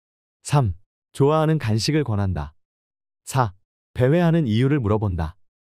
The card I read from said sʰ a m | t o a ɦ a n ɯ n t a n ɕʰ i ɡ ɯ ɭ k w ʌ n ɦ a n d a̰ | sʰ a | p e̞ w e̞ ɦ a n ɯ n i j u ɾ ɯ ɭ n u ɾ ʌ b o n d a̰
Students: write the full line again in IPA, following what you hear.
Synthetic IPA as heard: sʰ a m | t͡ɕ o a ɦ a n ɯ n k a n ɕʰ i ɡ ɯ ɭ k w ʌ n ɦ a n d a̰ | sʰ a | p e̞ w e̞ ɦ a n ɯ n i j u ɾ ɯ ɭ m u ɾ ʌ b o n d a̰